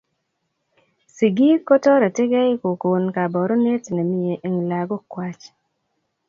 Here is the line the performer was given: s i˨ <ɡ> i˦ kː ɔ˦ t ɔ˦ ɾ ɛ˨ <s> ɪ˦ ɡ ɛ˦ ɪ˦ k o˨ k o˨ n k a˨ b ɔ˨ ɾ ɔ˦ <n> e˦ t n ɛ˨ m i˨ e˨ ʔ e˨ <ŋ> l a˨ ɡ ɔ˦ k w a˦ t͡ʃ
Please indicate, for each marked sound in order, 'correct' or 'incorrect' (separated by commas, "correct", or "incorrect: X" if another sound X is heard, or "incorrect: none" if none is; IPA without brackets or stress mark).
correct, incorrect: t, correct, correct